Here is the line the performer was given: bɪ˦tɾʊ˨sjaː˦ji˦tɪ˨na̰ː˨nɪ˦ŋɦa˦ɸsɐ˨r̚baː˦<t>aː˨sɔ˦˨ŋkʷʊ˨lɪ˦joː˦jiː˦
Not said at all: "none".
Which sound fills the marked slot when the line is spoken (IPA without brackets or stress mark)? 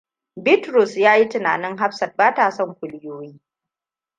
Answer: t